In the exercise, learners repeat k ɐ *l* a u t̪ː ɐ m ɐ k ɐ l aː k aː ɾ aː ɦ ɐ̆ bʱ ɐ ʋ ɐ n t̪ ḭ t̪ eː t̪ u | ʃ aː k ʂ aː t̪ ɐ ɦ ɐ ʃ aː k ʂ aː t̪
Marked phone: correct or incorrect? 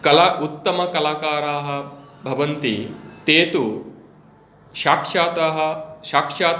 correct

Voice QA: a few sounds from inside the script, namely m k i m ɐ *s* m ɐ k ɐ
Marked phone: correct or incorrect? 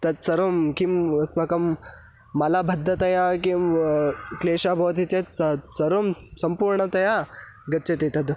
correct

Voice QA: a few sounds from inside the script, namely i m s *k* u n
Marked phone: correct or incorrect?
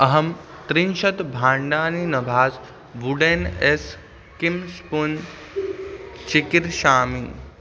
incorrect: p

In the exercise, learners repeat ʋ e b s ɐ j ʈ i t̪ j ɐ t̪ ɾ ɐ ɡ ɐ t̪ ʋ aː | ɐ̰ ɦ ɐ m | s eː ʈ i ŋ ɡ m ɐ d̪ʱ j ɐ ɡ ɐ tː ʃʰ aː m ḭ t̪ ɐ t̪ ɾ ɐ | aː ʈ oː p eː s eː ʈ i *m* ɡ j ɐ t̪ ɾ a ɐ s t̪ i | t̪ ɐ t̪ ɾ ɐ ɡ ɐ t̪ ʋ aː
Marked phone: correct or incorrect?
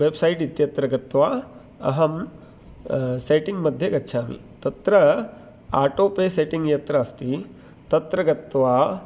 incorrect: ŋ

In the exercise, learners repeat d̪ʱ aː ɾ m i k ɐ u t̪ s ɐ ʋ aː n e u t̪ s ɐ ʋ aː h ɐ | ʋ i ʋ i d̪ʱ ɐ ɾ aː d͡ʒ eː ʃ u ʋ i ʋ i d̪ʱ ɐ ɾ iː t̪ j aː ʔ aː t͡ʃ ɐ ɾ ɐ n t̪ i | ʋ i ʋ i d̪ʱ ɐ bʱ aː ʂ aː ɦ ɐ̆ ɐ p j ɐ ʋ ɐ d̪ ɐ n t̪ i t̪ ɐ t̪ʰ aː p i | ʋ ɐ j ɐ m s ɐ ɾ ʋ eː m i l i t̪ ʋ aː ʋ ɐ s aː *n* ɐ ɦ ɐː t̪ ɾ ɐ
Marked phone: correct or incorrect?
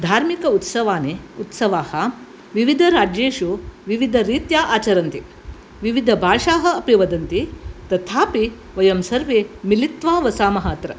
incorrect: m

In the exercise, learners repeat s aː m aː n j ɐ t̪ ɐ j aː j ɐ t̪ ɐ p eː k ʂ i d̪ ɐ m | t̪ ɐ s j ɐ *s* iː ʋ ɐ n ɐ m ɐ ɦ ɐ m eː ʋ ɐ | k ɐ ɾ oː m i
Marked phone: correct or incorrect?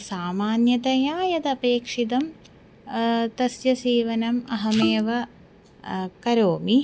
correct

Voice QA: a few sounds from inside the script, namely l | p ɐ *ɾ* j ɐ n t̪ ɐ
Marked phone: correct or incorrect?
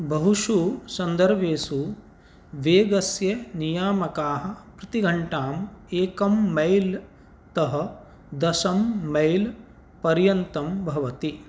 correct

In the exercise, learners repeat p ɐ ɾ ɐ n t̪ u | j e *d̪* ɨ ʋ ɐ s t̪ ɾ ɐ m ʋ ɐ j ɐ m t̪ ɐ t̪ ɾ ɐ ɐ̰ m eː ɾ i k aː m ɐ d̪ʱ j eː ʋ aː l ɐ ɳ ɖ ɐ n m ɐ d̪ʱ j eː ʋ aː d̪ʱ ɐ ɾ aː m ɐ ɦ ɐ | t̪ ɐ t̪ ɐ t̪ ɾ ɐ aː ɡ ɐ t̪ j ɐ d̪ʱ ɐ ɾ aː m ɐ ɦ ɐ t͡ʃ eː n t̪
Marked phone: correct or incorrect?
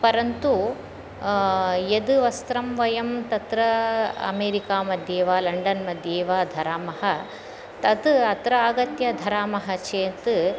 correct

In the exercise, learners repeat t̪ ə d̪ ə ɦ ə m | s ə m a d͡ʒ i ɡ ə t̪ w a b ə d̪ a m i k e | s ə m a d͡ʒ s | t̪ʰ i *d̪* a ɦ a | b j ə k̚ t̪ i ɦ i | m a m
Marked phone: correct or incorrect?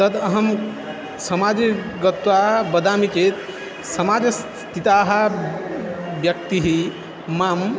incorrect: t̪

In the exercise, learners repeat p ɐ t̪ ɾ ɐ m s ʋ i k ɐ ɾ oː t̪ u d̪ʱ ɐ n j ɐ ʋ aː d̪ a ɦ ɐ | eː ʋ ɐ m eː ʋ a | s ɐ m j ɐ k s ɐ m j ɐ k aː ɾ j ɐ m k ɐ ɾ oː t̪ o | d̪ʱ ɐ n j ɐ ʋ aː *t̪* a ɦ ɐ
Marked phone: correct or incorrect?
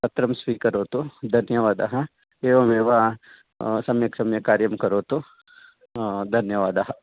incorrect: d̪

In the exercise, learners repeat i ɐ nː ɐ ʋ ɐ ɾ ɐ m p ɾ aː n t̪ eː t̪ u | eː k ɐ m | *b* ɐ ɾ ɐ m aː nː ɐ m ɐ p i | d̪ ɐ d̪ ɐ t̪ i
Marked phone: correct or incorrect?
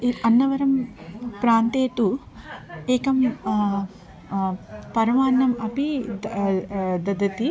incorrect: p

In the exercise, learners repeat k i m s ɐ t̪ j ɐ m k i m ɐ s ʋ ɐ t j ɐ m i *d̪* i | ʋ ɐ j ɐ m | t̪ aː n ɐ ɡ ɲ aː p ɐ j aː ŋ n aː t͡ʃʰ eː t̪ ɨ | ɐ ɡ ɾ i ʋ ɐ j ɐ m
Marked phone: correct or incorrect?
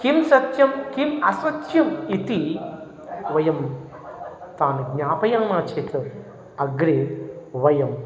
incorrect: t̪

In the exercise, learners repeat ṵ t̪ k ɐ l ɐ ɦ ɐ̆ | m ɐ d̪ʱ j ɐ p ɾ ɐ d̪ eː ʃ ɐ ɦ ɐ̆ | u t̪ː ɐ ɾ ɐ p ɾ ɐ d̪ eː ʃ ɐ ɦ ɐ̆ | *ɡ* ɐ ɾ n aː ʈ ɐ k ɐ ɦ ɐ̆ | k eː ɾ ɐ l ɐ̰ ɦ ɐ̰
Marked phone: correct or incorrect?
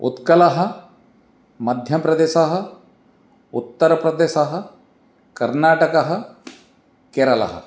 incorrect: k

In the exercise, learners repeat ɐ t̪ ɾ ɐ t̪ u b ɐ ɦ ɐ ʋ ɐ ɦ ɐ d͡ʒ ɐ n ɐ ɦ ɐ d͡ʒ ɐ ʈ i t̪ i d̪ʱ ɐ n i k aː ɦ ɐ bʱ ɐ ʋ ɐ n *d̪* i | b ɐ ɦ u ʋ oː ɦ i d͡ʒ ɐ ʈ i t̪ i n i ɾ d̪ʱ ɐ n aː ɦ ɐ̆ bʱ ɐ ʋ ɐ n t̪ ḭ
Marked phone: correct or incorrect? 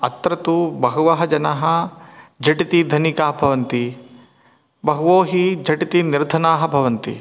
incorrect: t̪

